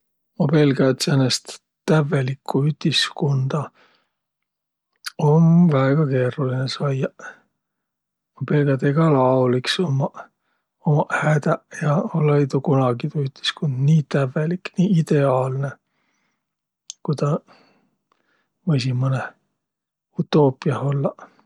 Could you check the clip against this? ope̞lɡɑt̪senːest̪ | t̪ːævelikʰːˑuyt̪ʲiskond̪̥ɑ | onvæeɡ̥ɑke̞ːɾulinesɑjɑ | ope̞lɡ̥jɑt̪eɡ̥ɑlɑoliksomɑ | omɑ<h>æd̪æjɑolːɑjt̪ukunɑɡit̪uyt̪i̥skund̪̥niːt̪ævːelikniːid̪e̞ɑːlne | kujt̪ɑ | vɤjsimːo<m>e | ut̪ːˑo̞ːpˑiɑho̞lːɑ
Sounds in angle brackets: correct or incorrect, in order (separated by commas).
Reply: correct, incorrect